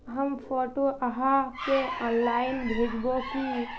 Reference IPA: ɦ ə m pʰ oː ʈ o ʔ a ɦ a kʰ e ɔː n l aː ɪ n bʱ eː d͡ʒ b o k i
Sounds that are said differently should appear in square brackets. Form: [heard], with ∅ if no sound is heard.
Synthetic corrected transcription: ɦ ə m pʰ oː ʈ o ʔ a ɦ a [k] e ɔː n l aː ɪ n bʱ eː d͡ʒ b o k i